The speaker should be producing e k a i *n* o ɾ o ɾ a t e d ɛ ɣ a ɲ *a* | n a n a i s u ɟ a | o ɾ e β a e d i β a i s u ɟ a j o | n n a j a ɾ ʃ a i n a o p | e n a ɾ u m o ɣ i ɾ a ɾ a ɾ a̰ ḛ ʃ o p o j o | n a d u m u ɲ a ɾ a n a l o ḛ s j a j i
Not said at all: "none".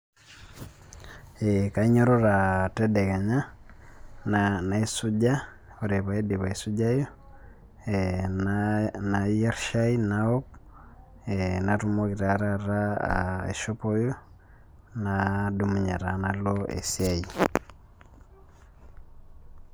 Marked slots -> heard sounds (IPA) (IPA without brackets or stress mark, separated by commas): ɲ, a